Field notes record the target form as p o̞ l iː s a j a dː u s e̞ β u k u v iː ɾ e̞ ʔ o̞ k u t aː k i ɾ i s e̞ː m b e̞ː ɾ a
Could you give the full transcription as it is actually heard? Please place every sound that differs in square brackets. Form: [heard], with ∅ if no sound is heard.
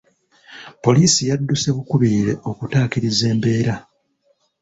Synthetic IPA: p o̞ l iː s [i] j a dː u s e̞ β u k u [β] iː ɾ e̞ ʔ o̞ k u t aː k i ɾ i [z] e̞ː m b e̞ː ɾ a

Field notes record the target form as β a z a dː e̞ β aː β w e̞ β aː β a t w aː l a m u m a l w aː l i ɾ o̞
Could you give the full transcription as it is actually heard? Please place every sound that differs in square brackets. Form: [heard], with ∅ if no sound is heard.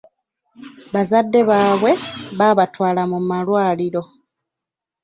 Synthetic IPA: β a z a dː e̞ β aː β w e̞ β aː β a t w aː l a m u m a l w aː l i ɾ o̞

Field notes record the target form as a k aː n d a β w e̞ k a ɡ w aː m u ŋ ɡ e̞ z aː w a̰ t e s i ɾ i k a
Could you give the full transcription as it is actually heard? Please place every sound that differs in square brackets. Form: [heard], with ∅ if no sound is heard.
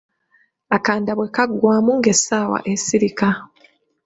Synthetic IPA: a k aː n d a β w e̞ k a ɡ w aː m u ŋ ɡ e̞ [s] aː w a̰ [ʔ] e s i ɾ i k a

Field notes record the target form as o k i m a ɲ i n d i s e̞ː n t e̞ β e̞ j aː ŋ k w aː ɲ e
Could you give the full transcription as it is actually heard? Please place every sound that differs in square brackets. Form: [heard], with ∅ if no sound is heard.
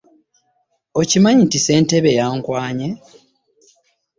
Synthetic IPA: o [c] i m a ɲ i n [t] i s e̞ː n t e̞ β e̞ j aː ŋ k w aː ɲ e

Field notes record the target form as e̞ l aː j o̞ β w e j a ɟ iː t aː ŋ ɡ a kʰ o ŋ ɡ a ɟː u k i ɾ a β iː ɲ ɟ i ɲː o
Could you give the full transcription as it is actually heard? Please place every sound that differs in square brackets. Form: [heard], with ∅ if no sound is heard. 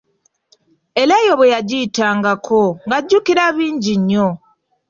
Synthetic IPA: e̞ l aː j o̞ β w e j a ɟ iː t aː ŋ ɡ a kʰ o ŋ ɡ a ɟː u k i ɾ a β iː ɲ ɟ i ɲː o

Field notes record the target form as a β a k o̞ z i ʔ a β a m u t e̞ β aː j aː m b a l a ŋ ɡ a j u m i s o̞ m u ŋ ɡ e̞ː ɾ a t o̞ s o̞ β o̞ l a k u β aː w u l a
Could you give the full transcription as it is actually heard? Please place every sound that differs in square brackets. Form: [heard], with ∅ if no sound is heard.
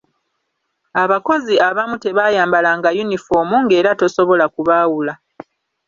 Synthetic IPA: a β a k o̞ z i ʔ a β a m u t e̞ β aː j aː m b a l a ŋ ɡ a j u [n] i [f] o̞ m u ŋ ɡ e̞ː ɾ a t o̞ s o̞ β o̞ l a k u β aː w u l a

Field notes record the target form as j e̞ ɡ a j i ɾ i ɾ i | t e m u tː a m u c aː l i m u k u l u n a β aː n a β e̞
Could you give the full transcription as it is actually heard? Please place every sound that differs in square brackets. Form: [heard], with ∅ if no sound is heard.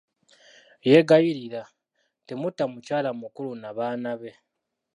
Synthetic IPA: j e̞ ɡ a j i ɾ i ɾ [a] | t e m u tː a m u c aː l [a] m u k u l u n a β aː n a β e̞

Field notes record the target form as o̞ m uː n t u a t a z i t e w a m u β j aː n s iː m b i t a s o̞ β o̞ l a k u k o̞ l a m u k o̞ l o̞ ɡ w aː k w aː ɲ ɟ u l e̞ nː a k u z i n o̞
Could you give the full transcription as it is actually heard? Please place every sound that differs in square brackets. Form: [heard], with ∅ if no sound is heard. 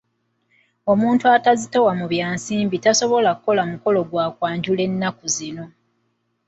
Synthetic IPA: o̞ m uː n t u a t a z i t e w a m u β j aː n s iː m b i t a s o̞ β o̞ l a k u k o̞ l a m u k o̞ l o̞ ɡ w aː k w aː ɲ ɟ u l e̞ nː a k u z i n o̞

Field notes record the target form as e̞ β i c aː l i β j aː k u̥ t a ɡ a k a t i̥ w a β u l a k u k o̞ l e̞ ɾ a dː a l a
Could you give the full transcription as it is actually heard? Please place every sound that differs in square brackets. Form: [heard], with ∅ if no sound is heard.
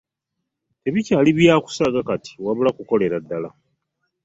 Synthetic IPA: e̞ β i c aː l i β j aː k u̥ [s] a ɡ a k a t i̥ w a β u l a k u k o̞ l e̞ ɾ a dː a l a

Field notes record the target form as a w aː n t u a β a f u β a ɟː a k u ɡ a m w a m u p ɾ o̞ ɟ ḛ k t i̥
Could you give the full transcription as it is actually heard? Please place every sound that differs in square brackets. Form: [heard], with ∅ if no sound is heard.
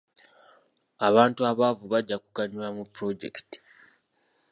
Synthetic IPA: a [β] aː n t u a β a [v] u β a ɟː a k u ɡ a [ɲ] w a m u p ɾ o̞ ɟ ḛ k t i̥

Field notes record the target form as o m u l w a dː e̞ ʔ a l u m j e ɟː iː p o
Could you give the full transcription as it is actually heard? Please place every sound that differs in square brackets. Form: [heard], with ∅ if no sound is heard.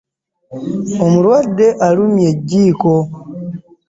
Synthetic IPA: o m u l w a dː e̞ ʔ a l u m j e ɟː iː [k] o

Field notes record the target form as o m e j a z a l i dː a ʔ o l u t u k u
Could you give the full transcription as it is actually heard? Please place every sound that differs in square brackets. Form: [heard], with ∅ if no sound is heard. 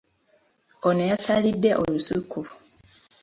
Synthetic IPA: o [n] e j a [s] a l i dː [e] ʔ o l u [s] u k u

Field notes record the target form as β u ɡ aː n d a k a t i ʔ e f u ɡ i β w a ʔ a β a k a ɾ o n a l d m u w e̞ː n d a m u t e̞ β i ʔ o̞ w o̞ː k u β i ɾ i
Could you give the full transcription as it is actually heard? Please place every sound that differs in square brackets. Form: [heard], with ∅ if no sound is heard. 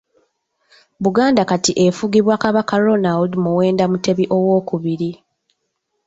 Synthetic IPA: β u ɡ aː n d a k a t i ʔ e f u ɡ i β w a [k] a β a k a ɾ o n a l d m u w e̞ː n d a m u t e̞ β i ʔ o̞ w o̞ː k u β i ɾ i

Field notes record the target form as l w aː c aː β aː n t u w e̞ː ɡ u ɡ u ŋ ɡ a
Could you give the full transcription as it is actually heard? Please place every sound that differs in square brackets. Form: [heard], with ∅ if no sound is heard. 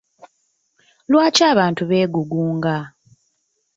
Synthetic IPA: l w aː c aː β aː n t u [β] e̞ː ɡ u ɡ [uː] ŋ ɡ a

